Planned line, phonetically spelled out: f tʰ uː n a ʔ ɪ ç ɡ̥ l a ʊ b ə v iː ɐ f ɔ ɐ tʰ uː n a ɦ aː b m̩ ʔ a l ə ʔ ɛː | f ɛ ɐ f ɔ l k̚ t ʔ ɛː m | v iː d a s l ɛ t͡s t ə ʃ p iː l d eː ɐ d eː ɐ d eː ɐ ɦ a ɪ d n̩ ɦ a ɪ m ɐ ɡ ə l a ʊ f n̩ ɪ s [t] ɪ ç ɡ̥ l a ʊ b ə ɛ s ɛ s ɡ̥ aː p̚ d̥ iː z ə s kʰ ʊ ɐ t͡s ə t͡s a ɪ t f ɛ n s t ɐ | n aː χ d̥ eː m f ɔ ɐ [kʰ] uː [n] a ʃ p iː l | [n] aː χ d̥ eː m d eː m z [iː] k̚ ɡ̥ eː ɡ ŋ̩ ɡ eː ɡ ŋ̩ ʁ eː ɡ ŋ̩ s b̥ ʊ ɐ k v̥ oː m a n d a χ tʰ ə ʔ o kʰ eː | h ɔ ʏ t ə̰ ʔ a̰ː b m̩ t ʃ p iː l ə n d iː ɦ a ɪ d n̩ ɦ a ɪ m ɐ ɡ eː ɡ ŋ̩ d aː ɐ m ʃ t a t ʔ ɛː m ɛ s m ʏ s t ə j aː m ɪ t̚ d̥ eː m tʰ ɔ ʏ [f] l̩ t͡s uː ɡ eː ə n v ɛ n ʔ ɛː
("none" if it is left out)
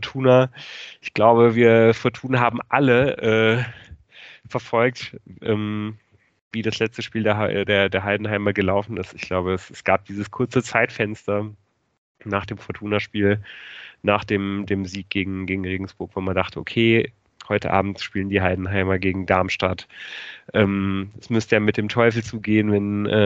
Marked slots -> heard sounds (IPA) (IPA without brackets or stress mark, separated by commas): t, tʰ, n, n, iː, f